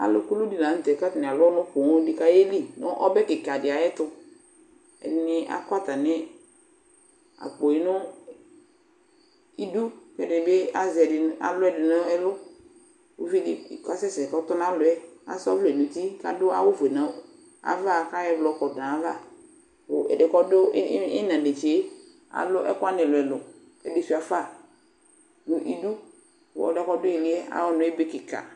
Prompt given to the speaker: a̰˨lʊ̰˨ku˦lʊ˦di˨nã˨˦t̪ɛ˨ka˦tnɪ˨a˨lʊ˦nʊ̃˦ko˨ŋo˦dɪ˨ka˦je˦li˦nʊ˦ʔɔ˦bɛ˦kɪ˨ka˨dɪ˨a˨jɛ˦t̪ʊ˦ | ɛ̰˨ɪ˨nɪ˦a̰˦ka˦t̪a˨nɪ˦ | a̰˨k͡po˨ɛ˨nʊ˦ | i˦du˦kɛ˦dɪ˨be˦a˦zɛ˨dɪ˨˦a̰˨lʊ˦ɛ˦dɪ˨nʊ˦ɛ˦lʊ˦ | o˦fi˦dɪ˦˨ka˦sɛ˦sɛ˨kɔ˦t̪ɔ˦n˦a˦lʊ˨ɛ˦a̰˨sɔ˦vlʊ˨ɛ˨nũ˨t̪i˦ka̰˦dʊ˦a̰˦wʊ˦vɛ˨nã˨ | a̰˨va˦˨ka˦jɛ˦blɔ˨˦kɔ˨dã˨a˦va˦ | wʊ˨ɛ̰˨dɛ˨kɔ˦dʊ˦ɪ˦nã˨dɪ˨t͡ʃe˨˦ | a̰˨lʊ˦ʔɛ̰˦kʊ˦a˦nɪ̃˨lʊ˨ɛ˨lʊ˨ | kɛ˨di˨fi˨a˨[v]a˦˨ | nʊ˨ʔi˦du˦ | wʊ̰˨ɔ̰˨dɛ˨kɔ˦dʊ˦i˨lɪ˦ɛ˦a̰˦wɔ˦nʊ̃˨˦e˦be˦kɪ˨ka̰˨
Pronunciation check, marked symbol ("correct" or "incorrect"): incorrect